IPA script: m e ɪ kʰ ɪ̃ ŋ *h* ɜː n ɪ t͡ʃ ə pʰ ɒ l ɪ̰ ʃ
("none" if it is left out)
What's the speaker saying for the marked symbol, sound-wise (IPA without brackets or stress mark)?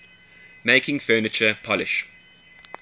f